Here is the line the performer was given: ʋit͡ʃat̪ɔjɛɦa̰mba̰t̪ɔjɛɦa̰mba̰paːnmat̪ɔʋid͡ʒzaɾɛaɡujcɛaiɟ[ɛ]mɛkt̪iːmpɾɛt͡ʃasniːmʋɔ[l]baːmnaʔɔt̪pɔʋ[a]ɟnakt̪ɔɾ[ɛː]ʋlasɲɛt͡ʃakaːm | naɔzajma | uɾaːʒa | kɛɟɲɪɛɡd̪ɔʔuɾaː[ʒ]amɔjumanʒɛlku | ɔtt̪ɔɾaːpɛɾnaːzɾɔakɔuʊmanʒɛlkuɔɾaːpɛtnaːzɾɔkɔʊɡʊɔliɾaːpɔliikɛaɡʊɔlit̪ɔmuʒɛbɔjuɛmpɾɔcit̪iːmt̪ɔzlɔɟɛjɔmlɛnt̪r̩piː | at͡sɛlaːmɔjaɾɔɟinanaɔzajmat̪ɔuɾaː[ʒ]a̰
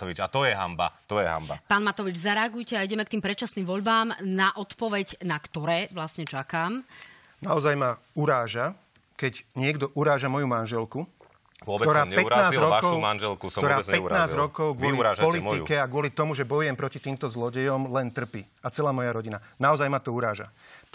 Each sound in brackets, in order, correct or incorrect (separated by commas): correct, incorrect, incorrect, correct, correct, correct